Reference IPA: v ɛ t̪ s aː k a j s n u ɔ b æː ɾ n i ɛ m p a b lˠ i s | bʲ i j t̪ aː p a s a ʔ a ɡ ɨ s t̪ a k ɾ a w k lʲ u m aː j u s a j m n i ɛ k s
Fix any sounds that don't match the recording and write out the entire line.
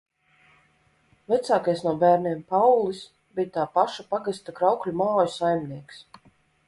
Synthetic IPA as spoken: v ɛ t̪ s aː k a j s n u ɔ b æː ɾ n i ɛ m p a w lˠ i s | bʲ i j t̪ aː p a ʃ a p a ɡ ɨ s t̪ a k ɾ a w k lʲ u m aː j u s a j m n i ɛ k s